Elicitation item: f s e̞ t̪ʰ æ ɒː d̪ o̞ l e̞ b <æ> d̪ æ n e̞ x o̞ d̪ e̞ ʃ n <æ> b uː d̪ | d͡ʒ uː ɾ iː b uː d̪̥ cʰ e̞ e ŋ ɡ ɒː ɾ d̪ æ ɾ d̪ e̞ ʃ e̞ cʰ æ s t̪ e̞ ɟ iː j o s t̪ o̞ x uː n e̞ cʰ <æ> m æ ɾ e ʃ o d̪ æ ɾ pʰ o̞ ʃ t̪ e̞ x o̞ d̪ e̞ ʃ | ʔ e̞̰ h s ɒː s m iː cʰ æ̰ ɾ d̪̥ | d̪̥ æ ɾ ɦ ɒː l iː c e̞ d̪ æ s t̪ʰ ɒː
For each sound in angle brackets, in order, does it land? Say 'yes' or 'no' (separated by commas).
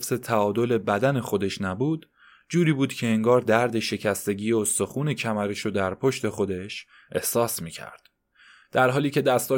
yes, yes, yes